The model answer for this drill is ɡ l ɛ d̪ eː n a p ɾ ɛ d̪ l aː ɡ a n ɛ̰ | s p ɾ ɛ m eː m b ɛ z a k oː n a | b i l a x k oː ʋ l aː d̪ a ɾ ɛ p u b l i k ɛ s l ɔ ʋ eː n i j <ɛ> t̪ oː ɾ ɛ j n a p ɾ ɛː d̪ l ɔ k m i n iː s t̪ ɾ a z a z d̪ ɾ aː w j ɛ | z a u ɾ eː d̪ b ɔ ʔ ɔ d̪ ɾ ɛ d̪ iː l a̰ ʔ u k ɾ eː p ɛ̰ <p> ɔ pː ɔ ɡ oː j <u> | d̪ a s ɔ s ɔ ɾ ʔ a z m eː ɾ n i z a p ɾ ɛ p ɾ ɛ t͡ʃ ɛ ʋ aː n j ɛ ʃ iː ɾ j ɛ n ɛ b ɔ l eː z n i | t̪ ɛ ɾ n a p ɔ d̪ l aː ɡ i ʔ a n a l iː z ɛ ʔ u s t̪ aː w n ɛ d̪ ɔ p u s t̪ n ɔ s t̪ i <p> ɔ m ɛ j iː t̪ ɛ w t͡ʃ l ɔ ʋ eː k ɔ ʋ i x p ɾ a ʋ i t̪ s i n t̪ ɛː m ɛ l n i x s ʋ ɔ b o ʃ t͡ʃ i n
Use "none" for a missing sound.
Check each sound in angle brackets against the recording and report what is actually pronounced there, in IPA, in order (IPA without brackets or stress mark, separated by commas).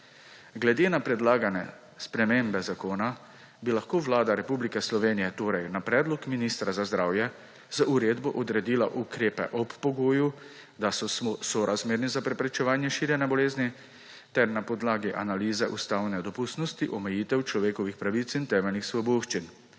ɛ, ʔ, u, ʔ